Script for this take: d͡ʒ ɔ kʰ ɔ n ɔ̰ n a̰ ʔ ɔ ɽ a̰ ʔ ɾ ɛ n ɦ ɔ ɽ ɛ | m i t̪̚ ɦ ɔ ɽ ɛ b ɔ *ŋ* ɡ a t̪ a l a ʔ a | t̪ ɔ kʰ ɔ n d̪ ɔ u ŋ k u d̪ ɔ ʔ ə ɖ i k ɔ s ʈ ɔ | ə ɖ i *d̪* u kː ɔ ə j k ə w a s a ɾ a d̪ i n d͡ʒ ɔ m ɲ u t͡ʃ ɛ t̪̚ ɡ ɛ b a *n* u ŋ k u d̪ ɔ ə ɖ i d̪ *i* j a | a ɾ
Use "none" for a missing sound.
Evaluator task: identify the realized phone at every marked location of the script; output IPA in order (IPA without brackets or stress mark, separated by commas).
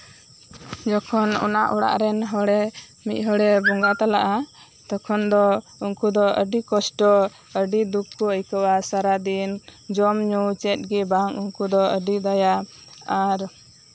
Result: ŋ, d̪, ŋ, a